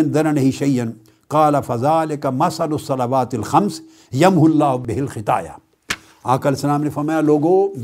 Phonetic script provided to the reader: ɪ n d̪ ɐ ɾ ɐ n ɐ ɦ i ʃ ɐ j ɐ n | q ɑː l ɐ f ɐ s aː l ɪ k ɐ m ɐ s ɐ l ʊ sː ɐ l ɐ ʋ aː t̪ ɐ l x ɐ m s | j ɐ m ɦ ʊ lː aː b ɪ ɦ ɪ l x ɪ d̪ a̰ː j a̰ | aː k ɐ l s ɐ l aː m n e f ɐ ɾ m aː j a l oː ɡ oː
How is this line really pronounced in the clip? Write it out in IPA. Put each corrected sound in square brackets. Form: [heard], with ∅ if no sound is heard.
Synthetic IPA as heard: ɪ n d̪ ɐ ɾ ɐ n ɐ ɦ i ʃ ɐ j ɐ n | q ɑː l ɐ f ɐ [z] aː l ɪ k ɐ m ɐ s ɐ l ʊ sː ɐ l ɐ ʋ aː t̪ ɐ l x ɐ m s | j ɐ m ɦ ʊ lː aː b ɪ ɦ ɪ l x ɪ [t̪] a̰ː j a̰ | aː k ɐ l s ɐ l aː m n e f ɐ ɾ m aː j a l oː ɡ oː